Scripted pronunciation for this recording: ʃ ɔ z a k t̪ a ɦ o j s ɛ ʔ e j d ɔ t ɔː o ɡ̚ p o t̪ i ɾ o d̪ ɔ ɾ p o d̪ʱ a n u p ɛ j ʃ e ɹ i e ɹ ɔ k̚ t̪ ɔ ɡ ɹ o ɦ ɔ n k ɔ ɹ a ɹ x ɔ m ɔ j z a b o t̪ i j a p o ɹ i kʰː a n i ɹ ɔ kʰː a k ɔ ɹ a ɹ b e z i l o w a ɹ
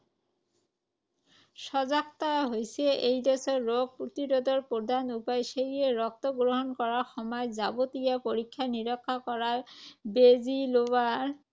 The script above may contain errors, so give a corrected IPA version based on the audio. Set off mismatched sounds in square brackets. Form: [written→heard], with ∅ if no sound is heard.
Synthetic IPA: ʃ ɔ z a k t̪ a ɦ o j s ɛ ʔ e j d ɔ [t→s] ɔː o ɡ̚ p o t̪ i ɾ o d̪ ɔ [ɾ→ɹ] p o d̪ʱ a n u p [ɛ→a] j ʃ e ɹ i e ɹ ɔ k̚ t̪ ɔ ɡ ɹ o ɦ ɔ n k ɔ ɹ a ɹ x ɔ m ɔ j z a b o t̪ i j a p o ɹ i kʰː a n i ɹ ɔ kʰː a k ɔ ɹ a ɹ b e z i l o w a ɹ